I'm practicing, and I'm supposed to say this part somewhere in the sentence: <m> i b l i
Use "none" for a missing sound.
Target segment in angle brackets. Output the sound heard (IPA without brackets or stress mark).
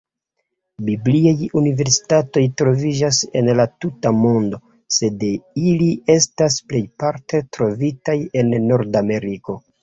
b